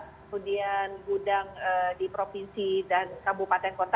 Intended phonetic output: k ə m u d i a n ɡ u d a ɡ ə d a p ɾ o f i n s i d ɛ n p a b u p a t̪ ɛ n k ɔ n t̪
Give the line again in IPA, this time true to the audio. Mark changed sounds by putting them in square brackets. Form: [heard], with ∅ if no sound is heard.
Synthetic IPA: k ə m u d i a n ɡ u d a [ŋ] ə d [i] p ɾ o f i n s i d [a] n [k] a b u p a t̪ ɛ n k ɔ n t̪